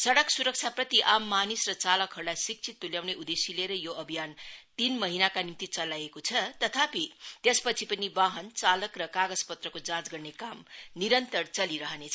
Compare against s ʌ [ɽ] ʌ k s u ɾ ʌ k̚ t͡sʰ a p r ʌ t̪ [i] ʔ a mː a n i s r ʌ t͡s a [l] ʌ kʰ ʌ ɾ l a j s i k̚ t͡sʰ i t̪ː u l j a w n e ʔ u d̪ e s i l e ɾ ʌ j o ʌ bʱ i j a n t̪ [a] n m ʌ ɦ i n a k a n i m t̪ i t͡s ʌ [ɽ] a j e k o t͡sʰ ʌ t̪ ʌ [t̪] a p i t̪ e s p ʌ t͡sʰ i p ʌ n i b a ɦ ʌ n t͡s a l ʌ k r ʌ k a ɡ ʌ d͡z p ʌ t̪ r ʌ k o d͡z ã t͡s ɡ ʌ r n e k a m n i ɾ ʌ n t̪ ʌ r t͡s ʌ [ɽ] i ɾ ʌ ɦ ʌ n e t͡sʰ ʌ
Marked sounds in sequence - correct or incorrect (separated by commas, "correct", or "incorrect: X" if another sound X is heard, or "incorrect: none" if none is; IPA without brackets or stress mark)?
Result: correct, correct, correct, incorrect: i, incorrect: l, incorrect: t̪ʰ, incorrect: l